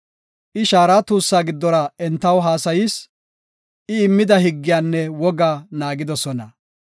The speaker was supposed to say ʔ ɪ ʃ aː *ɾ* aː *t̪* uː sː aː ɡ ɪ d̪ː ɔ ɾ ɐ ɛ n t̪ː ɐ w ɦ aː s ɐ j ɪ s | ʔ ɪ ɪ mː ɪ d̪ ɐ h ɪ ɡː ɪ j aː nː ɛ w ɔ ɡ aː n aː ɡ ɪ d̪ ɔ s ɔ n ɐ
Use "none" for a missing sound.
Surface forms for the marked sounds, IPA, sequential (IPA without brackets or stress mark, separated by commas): ɾ, t̪